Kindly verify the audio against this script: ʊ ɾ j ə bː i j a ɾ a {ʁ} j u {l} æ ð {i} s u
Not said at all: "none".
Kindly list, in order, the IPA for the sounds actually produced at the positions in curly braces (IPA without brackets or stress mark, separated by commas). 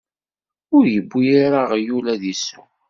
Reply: ʁ, l, i